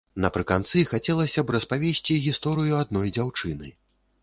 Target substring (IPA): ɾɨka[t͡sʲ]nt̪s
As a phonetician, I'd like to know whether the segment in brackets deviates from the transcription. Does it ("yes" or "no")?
yes